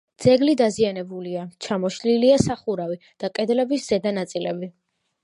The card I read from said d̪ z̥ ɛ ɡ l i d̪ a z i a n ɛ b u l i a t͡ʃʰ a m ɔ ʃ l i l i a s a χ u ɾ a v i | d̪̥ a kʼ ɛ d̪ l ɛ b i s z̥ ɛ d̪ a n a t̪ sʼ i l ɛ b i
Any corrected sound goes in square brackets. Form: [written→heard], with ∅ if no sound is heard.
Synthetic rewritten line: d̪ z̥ ɛ ɡ l i d̪ a z i a n ɛ b u l i a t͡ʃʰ a m ɔ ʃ l i l i a s a χ u ɾ a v i | d̪̥ a kʼ ɛ d̪ l ɛ b i s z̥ ɛ d̪ a n a t̪ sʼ i l ɛ b i